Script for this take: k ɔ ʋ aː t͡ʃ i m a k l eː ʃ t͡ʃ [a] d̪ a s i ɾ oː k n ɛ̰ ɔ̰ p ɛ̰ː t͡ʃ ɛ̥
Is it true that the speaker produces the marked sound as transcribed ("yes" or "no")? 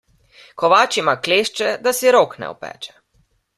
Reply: no